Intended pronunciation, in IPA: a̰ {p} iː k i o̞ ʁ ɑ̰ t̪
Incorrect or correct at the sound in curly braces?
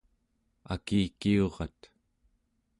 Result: incorrect: k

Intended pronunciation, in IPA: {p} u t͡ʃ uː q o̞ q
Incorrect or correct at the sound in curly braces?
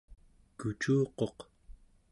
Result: incorrect: k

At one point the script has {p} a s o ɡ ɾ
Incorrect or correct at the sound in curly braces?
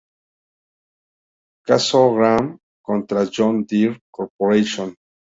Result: incorrect: k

